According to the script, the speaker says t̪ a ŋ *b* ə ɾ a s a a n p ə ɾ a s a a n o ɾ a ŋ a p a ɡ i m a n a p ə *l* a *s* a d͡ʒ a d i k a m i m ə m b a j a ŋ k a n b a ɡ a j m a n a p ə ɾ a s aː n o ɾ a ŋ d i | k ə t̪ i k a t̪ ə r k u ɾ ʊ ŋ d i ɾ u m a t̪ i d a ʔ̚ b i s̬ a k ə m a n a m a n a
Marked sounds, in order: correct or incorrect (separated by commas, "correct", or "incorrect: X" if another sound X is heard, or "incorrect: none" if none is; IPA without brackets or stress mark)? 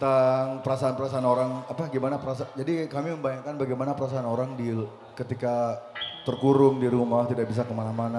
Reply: incorrect: p, incorrect: ɾ, correct